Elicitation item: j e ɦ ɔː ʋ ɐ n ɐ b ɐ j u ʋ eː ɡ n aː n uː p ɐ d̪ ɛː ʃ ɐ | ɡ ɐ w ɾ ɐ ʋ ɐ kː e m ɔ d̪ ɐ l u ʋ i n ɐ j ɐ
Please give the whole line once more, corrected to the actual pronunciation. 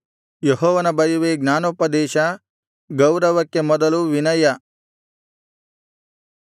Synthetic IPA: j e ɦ ɔː ʋ ɐ n ɐ b ɐ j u ʋ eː ɡ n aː n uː p ɐ d̪ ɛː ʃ ɐ | ɡ ɐ w ɾ ɐ ʋ ɐ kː e m ɔ d̪ ɐ l u ʋ i n ɐ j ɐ